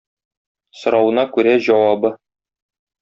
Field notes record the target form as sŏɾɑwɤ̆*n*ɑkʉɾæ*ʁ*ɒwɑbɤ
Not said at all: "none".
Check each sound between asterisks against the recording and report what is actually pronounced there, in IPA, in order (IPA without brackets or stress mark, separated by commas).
n, ʑ